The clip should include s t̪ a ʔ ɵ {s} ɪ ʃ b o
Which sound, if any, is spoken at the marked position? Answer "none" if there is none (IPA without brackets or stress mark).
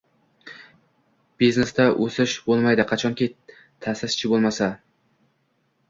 s